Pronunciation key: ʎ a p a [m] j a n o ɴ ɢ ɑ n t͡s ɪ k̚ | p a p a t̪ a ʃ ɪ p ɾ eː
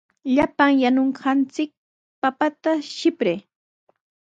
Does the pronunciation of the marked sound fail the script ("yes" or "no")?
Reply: yes